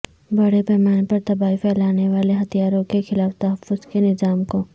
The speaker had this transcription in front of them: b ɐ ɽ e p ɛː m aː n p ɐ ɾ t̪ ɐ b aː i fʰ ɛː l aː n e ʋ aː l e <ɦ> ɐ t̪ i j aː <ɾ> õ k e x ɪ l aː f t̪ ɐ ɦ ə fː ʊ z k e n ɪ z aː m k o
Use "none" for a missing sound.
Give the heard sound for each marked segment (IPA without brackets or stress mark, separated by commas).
ɦ, ɾ